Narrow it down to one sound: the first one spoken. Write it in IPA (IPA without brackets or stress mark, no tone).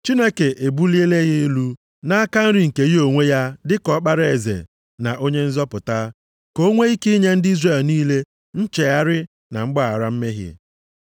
t͡ʃ